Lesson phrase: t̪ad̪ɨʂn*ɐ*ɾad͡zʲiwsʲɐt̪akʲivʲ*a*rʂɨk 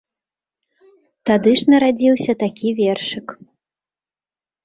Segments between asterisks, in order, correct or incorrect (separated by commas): correct, incorrect